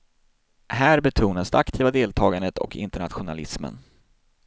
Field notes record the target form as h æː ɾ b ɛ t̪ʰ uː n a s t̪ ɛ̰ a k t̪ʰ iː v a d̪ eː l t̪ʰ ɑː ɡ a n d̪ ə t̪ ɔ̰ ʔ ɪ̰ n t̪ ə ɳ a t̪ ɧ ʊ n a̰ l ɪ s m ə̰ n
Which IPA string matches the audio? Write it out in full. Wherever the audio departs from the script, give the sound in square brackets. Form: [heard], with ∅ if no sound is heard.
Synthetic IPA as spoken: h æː ɾ b ɛ t̪ʰ uː n a s [d̪] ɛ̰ a k t̪ʰ iː v a d̪ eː l t̪ʰ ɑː ɡ a n d̪ ə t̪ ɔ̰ [k] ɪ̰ n t̪ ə ɳ a t̪ ɧ ʊ n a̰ l ɪ s m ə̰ n